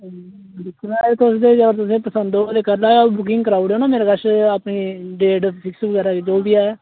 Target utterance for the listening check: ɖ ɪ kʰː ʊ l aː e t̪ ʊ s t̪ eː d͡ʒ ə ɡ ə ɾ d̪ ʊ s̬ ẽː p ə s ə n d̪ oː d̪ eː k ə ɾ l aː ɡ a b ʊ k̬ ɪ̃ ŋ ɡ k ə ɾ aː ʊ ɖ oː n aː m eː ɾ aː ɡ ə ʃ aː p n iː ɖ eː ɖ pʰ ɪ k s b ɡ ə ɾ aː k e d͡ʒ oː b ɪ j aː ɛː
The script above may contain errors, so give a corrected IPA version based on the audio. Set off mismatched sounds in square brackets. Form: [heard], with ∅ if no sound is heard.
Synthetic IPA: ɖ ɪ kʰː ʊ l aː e t̪ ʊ s [d̪] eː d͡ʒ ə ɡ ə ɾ [t̪] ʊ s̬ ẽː p ə s ə n d̪ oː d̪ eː k ə ɾ l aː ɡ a b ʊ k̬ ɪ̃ ŋ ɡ k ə ɾ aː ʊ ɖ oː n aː m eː ɾ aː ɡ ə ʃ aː p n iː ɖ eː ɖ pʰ ɪ k s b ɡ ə ɾ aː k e d͡ʒ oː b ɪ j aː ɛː